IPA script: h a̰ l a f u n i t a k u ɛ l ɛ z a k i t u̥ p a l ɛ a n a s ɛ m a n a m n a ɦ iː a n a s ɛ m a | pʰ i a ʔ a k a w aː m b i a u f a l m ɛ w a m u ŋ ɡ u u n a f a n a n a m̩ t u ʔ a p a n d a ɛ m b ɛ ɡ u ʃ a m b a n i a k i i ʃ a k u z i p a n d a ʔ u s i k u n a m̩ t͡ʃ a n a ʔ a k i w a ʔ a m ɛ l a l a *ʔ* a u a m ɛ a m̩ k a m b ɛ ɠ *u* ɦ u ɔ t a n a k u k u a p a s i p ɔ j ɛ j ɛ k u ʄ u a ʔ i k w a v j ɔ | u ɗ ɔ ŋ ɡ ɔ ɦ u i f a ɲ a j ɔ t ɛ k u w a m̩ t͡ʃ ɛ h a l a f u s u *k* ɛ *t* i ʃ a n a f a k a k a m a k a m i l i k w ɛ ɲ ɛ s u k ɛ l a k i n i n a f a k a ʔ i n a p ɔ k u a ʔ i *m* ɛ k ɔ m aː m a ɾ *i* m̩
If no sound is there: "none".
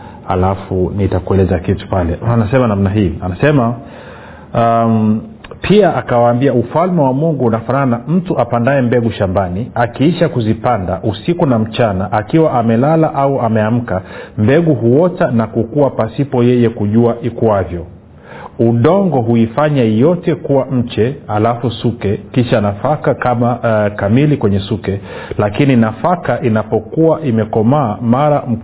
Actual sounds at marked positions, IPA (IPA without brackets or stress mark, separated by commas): ʔ, u, k, k, m, a